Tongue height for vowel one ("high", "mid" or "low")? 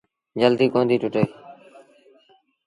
mid